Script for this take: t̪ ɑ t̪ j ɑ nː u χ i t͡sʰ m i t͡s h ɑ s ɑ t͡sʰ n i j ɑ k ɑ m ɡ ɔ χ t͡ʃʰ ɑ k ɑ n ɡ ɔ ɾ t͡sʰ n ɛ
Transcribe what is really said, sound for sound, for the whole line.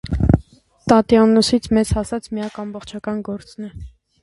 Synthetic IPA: t̪ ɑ t̪ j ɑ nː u s i t͡sʰ m ɛ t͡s h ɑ s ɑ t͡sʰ m i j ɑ k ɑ m b ɔ χ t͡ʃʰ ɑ k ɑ n ɡ ɔ ɾ t͡s n ɛ